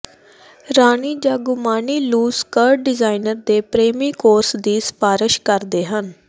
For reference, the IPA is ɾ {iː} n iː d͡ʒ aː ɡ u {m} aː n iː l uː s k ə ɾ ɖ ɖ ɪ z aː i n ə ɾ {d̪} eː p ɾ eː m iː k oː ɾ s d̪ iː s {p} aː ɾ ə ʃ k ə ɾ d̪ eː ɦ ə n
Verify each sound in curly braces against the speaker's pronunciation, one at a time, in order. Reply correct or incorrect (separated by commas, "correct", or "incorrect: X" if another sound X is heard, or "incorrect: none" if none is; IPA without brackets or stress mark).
incorrect: aː, correct, correct, correct